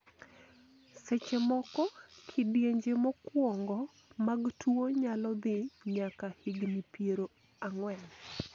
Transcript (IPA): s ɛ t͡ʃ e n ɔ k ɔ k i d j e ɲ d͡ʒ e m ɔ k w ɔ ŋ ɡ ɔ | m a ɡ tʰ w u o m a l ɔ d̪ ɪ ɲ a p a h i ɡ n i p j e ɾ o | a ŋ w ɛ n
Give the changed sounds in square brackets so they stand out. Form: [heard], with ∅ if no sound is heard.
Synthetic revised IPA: s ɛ t͡ʃ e [m] ɔ k ɔ [kʰ] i d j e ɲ d͡ʒ e m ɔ k w ɔ ŋ ɡ ɔ | m a ɡ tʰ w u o [ɲ] a l ɔ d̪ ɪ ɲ a [k] a h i ɡ n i p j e ɾ o | a ŋ w ɛ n